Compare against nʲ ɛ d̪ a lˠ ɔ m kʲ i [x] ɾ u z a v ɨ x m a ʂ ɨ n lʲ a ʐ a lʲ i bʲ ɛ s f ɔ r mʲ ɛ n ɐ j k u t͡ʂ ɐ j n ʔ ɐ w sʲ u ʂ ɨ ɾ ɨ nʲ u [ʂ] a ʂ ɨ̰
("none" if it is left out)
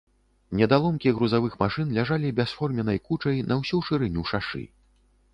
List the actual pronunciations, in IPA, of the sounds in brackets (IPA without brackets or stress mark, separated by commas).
ɣ, ʂ